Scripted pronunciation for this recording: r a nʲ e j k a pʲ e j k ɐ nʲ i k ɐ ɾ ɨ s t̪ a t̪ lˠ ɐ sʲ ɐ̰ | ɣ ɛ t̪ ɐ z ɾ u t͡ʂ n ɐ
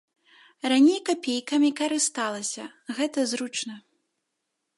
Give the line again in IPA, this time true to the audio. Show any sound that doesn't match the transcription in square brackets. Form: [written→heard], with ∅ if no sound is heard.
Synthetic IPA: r a nʲ e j k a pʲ e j k ɐ [nʲ→mʲ] i k ɐ ɾ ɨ s t̪ a [t̪→∅] lˠ ɐ sʲ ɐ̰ | ɣ ɛ t̪ ɐ z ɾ u t͡ʂ n ɐ